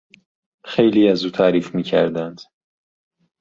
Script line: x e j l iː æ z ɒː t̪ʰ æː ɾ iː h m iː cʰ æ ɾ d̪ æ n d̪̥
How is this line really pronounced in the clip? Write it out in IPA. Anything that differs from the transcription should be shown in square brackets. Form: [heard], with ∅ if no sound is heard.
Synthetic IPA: x e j l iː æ z [uː] t̪ʰ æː ɾ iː [f] m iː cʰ æ ɾ d̪ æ n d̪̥